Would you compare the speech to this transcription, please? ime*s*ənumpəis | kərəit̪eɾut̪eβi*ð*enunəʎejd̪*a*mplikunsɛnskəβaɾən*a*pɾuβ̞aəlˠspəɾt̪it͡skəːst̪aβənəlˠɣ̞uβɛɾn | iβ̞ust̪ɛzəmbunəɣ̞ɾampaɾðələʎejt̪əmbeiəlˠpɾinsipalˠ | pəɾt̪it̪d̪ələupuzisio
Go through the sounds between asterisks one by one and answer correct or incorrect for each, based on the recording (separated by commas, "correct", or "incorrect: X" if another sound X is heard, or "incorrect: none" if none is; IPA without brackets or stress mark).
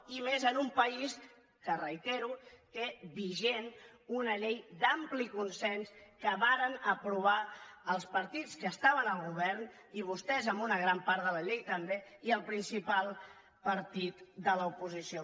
incorrect: z, incorrect: ʒ, correct, incorrect: ə